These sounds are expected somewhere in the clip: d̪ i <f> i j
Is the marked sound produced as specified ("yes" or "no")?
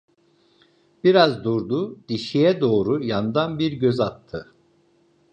no